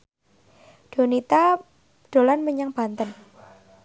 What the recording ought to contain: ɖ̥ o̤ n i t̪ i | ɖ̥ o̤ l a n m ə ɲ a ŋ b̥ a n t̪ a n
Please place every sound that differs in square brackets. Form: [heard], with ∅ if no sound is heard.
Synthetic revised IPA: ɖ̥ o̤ n i t̪ [a] | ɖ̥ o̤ l a n m ə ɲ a ŋ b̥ a n t̪ [ə] n